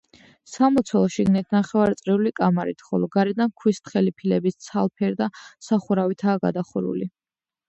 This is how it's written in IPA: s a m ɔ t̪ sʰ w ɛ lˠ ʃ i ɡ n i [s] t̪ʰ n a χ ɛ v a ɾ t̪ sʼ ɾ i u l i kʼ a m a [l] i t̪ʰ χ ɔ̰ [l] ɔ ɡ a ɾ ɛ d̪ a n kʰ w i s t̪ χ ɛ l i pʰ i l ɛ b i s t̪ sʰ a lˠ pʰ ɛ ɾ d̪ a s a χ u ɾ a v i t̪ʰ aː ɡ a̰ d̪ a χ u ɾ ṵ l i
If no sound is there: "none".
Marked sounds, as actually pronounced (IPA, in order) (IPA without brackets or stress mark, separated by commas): none, ɾ, l